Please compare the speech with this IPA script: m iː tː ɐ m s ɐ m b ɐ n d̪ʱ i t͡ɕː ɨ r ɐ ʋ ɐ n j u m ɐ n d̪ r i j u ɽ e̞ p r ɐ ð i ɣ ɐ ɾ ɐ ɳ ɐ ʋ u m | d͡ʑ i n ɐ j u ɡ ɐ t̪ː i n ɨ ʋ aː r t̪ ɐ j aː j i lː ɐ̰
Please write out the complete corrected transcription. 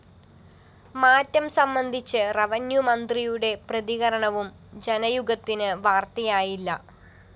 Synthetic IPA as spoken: m aː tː ɐ m s ɐ m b ɐ n d̪ʱ i t͡ɕː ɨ r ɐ ʋ ɐ n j u m ɐ n d̪ r i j u ɽ e̞ p r ɐ ð i ɣ ɐ ɾ ɐ ɳ ɐ ʋ u m | d͡ʑ e n ɐ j u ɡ ɐ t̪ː i n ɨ ʋ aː r t̪ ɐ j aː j i lː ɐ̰